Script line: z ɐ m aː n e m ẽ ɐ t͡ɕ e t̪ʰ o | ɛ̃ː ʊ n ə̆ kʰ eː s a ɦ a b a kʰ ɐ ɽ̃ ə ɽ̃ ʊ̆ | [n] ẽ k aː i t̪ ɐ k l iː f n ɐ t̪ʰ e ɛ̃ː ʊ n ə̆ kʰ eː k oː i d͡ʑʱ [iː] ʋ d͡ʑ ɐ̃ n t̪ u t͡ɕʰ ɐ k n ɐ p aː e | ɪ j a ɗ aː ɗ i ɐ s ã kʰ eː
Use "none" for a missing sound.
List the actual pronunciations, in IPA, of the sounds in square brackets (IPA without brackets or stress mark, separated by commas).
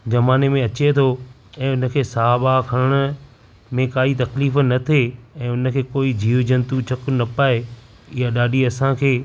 m, iː